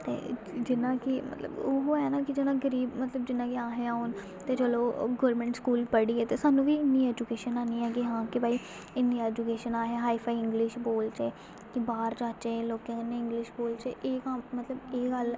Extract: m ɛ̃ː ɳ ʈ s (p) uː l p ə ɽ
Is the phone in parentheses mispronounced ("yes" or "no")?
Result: yes